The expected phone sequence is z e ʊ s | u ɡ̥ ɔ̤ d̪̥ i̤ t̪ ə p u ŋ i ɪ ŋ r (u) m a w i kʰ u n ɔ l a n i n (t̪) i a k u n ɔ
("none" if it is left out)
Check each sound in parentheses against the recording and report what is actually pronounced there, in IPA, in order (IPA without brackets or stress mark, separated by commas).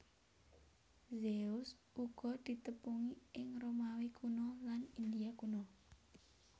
o, d̪